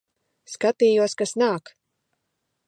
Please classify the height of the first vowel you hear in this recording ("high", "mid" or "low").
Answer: low